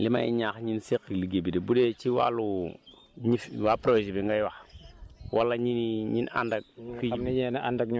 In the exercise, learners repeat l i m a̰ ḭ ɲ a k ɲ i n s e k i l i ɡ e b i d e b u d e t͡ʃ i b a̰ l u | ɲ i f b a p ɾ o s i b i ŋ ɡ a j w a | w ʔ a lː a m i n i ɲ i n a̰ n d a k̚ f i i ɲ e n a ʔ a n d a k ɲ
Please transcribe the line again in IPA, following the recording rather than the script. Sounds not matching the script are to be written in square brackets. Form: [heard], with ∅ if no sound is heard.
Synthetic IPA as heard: l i m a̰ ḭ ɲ a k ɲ i n s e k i l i ɡ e b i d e b u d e t͡ʃ i [w] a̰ l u | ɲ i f [w] a p ɾ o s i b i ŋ ɡ a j w a | w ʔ a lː a [ɲ] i n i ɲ i n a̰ n d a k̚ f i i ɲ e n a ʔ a n d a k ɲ